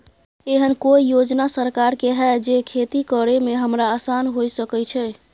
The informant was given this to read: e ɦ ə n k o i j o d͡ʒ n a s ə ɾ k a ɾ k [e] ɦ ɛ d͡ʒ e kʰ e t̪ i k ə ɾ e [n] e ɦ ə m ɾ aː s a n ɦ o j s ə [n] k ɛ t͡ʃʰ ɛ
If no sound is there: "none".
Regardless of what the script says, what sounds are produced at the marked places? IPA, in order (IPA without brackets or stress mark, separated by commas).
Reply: e, m, none